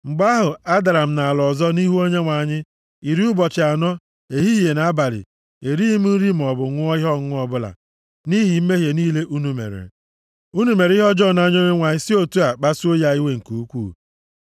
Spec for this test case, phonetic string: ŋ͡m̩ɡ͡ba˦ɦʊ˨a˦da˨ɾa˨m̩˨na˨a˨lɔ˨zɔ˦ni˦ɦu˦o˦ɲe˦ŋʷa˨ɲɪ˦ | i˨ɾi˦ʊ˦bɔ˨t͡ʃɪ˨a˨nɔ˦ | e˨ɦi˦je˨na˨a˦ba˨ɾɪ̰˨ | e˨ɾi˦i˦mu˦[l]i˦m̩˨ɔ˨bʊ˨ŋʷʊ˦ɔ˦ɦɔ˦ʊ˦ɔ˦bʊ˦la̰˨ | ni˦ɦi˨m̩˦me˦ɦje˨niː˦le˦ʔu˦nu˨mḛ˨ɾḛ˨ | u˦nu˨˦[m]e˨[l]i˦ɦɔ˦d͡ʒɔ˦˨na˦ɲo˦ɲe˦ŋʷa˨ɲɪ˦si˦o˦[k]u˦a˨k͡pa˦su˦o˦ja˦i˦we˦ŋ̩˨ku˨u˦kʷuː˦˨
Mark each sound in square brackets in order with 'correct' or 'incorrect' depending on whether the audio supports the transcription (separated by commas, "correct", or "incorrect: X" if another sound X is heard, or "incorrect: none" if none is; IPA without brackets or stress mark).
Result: incorrect: ɾ, correct, incorrect: ɾ, incorrect: t